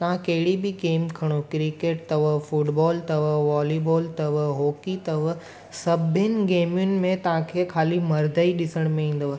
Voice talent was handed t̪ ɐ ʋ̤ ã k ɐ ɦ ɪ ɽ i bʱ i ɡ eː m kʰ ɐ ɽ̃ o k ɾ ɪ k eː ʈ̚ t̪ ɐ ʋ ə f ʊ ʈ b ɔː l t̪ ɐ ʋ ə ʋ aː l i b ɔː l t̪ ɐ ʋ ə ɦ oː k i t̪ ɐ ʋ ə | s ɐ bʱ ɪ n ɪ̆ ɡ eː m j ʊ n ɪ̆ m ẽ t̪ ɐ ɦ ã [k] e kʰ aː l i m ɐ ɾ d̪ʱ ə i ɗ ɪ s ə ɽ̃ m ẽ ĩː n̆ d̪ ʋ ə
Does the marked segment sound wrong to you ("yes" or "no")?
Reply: yes